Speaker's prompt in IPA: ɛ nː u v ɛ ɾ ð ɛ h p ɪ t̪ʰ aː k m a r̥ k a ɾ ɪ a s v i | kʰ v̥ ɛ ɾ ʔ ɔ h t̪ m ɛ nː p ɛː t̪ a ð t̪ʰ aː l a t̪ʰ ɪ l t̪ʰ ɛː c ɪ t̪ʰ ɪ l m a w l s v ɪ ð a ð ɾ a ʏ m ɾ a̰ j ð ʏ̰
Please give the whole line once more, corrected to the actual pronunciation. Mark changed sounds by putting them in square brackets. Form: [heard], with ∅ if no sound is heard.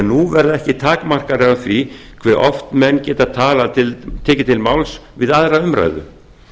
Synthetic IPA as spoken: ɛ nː u v ɛ ɾ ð ɛ h [c] ɪ t̪ʰ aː k m a r̥ k a ɾ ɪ a [θ] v i | kʰ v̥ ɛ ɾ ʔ ɔ [f] t̪ m ɛ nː [c] ɛː t̪ a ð t̪ʰ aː l a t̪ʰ ɪ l t̪ʰ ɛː c ɪ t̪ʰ ɪ l m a w l s v ɪ ð a ð ɾ a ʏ m ɾ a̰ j ð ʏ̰